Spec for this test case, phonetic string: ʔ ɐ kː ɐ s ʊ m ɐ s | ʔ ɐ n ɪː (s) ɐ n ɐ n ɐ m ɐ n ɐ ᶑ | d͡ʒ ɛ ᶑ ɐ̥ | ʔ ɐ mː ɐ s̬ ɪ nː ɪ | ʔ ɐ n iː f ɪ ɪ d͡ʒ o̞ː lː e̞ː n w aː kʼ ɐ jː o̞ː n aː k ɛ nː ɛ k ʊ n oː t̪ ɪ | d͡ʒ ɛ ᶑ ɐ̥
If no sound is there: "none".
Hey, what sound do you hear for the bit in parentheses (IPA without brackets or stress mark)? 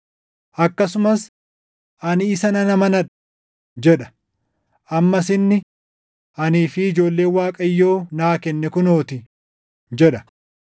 s